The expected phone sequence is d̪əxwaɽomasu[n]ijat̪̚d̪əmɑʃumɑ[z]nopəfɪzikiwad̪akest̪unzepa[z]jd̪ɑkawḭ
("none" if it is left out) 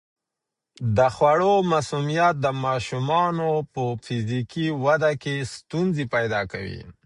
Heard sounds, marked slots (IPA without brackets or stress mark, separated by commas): m, none, none